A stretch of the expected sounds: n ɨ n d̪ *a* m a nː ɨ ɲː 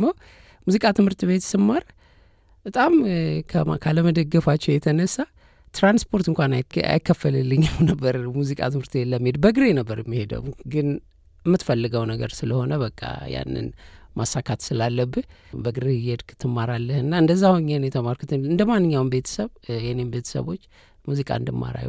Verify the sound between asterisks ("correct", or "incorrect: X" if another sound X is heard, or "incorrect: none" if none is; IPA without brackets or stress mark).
incorrect: ə